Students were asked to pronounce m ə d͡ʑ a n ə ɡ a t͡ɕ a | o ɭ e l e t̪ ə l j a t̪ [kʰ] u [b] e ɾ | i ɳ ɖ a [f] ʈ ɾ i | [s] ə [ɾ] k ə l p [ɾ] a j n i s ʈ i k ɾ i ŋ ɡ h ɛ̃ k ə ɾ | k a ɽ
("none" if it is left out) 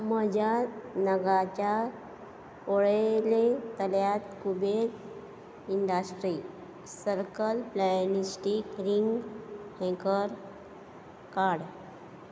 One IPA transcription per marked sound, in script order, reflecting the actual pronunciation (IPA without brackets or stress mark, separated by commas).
k, b, s, s, ɾ, l